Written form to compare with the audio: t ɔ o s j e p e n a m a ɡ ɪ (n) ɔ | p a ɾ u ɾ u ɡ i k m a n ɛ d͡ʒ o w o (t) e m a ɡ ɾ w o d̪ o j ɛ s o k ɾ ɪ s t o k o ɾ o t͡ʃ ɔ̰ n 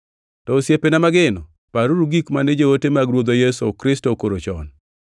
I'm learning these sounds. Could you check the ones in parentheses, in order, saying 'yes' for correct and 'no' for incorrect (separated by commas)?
yes, yes